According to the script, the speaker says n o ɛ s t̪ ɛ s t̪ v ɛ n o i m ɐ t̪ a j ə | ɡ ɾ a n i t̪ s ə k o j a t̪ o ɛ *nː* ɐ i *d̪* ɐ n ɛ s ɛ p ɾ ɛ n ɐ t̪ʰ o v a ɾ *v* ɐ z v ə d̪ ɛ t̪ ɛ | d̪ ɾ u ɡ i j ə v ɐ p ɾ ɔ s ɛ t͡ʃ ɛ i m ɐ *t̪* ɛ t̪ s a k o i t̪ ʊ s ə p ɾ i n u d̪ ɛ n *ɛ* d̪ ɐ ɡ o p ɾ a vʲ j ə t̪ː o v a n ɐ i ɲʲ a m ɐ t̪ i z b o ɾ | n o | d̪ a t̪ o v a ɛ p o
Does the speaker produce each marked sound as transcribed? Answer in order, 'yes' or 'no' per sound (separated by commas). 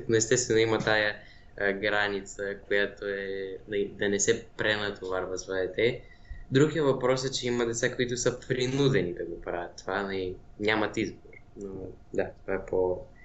no, yes, yes, no, no